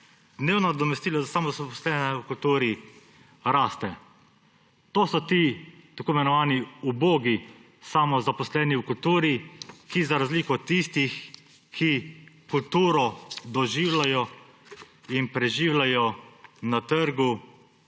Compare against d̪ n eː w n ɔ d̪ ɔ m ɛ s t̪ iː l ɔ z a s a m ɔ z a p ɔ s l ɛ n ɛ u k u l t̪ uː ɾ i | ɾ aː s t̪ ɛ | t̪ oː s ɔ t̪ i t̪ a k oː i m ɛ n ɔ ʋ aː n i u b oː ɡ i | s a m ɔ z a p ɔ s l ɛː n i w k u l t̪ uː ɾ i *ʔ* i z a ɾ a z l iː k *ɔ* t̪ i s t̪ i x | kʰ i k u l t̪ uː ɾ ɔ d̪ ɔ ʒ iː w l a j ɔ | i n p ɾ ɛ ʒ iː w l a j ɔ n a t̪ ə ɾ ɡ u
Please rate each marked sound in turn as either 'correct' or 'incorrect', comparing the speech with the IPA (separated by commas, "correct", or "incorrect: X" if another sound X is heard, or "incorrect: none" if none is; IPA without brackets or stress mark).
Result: incorrect: k, correct